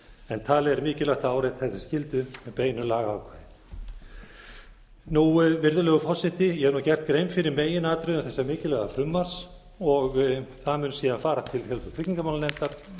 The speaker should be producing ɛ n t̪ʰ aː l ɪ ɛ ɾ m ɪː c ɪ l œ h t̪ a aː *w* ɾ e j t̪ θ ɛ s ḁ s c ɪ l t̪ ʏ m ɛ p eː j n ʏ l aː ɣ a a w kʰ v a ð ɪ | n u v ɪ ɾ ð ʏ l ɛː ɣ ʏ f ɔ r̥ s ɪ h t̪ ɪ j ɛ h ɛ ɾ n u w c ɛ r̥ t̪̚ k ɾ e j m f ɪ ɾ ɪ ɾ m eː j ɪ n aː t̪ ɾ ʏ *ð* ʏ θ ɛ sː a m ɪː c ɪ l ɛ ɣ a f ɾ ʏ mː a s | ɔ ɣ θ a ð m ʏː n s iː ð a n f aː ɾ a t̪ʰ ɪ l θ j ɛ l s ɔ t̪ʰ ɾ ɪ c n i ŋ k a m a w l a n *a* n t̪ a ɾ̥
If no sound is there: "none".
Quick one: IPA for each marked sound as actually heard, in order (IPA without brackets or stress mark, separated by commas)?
w, ð, ɛ